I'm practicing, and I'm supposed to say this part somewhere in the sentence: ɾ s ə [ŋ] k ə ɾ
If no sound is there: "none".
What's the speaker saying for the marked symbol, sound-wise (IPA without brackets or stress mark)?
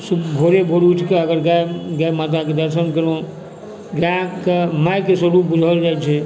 n